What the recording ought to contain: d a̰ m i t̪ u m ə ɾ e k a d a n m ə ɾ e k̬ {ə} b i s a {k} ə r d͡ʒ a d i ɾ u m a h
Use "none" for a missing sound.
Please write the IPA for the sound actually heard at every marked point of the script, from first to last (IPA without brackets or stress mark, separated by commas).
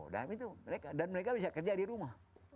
a, k